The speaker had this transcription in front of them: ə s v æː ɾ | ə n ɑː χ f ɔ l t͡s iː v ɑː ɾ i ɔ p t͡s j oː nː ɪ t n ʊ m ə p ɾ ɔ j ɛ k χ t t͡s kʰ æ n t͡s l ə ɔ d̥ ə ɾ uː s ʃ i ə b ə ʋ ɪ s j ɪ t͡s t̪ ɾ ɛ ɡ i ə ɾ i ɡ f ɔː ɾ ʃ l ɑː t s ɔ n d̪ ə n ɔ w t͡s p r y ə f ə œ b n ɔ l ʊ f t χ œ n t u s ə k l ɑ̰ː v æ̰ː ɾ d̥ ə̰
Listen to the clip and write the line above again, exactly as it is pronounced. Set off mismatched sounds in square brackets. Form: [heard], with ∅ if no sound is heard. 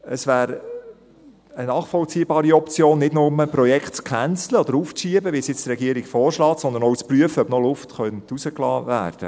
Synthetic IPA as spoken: ə s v æː ɾ | ə n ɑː χ f ɔ l t͡s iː [b] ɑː ɾ i ɔ p t͡s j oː nː ɪ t n ʊ m ə p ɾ ɔ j ɛ k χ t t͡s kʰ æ n t͡s l ə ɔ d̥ ə ɾ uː [f] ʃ i ə b ə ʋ [i] s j ɪ t͡s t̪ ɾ ɛ ɡ i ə ɾ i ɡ f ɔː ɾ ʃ l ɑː t s ɔ n d̪ ə n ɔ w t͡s p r y ə f ə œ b n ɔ l ʊ f t χ œ n t u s ə k l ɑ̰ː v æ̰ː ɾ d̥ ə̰